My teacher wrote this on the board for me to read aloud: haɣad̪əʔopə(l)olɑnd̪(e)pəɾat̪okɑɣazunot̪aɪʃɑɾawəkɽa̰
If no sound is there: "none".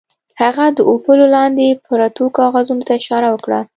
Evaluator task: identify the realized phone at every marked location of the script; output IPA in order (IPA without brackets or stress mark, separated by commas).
l, e